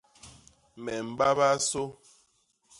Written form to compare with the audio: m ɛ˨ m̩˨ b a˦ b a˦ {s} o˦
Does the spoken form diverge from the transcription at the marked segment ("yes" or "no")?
no